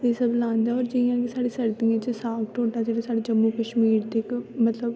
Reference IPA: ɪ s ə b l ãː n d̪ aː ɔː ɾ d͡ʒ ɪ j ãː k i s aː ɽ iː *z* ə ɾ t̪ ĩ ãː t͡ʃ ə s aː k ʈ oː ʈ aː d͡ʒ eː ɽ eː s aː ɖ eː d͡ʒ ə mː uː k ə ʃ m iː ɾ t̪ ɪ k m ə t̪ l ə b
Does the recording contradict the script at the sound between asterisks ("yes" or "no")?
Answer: yes